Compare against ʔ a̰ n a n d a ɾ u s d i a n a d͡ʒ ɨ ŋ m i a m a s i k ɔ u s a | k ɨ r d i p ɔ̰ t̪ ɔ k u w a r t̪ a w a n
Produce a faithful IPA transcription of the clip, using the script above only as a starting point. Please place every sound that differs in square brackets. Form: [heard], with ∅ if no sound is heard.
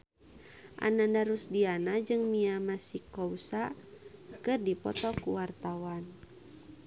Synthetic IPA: ʔ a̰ n a n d a ɾ u s d i a n a d͡ʒ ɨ ŋ m i a m a s i k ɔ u s a | k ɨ r d i p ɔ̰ t̪ ɔ k u w a r t̪ a w a n